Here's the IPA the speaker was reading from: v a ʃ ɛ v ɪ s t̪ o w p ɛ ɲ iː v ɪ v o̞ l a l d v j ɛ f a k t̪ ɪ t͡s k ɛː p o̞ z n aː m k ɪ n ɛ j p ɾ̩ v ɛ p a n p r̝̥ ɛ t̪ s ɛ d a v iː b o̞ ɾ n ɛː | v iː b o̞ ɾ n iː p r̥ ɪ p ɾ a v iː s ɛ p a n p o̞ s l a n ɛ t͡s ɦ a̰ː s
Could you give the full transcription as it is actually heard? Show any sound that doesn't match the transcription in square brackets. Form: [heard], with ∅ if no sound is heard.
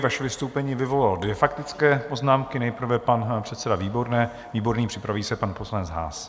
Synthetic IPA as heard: v a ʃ ɛ v ɪ s t̪ o w p ɛ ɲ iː v ɪ v o̞ l a l d v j ɛ f a k t̪ ɪ t͡s k ɛː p o̞ z n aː m k ɪ n ɛ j p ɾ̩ v ɛ p a n p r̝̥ ɛ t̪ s ɛ d a v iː b o̞ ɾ n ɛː | v iː b o̞ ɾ n iː p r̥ ɪ p ɾ a v iː s ɛ p a n p o̞ s l a n ɛ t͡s ɦ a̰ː s